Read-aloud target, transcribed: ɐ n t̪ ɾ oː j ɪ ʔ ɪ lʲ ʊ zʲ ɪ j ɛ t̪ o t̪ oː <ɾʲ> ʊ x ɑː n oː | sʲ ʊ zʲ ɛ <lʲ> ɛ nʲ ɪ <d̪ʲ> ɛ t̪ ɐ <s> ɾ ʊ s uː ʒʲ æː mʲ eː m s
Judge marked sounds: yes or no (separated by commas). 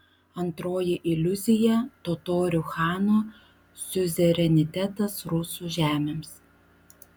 yes, no, no, yes